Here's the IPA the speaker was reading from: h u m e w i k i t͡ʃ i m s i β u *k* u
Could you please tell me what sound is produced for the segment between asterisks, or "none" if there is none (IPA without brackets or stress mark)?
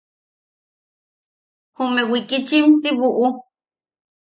ʔ